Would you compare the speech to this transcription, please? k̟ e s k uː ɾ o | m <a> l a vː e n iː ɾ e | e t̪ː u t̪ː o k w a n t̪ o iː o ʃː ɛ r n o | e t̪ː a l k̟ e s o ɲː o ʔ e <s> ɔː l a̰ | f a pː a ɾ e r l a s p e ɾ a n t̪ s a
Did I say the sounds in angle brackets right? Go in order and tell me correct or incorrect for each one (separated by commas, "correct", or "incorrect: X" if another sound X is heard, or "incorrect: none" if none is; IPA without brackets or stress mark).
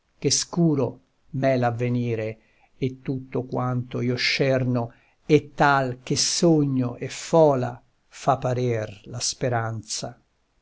incorrect: ɛ, incorrect: f